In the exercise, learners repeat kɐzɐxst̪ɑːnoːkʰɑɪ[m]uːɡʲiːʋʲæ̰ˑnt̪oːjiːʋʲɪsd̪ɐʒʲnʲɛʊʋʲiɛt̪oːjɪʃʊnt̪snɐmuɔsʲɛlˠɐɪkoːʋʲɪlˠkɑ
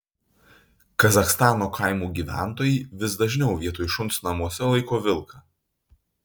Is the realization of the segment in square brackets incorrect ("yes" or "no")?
no